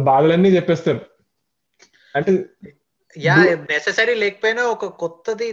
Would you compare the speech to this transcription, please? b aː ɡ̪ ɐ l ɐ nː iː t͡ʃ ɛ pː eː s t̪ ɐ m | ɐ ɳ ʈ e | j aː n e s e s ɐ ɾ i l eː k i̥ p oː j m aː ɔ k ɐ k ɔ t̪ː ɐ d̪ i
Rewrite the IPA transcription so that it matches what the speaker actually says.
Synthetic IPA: b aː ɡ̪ ɐ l ɐ nː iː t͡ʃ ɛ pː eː s t̪ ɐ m | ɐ ɳ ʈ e | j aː n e s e s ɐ ɾ i l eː k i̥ p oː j n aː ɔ k ɐ k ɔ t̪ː ɐ d̪ i